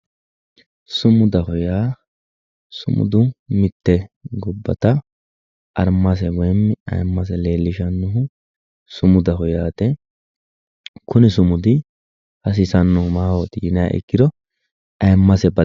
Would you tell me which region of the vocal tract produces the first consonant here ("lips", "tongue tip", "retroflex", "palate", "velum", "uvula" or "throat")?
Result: tongue tip